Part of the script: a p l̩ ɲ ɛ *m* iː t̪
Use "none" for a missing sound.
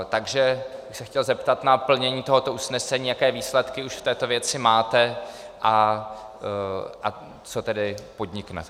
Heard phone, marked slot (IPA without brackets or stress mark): ɲ